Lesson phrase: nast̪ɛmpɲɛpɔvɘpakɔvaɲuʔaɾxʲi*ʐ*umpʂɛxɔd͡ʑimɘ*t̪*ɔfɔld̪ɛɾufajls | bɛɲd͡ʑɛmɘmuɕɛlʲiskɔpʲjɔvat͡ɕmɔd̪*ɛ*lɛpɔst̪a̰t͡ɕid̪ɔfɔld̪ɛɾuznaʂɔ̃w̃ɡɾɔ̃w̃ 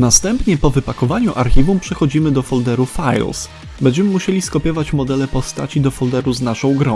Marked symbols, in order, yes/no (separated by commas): no, no, yes